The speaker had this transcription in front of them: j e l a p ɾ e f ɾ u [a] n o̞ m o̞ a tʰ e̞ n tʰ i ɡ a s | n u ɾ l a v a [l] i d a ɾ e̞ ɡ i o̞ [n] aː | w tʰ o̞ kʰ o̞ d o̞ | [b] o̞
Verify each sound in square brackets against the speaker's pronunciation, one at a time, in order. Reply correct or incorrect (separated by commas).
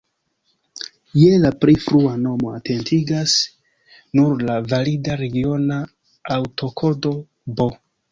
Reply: correct, correct, correct, correct